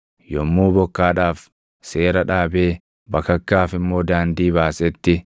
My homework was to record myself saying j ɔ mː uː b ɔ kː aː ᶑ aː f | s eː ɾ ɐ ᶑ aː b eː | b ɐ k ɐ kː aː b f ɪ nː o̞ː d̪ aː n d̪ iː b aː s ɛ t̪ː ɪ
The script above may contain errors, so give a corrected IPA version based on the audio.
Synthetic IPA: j ɔ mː uː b ɔ kː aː ᶑ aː f | s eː ɾ ɐ ᶑ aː b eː | b ɐ k ɐ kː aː f ɪ mː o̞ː d̪ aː n d̪ iː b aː s ɛ t̪ː ɪ